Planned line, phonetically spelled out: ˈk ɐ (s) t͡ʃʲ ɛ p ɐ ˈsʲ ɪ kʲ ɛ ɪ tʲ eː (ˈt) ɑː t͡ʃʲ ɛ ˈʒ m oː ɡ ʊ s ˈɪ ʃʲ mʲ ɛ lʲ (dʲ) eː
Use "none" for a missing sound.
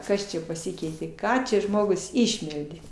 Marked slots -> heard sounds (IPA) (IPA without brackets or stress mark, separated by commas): s, k, dʲ